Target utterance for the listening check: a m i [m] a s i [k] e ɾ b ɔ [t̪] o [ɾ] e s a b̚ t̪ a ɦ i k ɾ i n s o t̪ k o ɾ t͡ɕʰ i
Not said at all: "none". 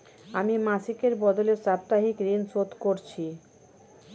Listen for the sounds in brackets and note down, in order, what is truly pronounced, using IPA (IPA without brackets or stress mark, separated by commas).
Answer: m, k, d̪, l